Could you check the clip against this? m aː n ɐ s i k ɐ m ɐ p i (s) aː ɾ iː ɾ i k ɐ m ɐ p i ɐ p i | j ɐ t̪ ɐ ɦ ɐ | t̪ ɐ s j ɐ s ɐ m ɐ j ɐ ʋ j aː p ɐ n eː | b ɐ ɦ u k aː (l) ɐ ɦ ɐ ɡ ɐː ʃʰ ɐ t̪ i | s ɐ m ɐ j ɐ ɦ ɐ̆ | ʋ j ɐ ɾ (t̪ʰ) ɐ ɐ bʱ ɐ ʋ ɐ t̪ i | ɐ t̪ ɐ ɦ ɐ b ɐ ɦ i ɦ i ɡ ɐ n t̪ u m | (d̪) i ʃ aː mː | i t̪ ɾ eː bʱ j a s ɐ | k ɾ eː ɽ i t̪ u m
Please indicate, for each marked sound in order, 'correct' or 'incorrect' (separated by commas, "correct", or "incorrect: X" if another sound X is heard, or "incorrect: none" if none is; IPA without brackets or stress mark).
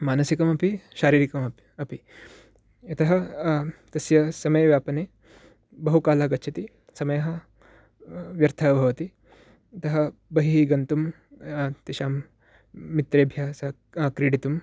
incorrect: ʃ, correct, correct, incorrect: t̪